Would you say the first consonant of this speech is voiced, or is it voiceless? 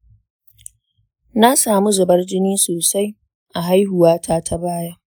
voiced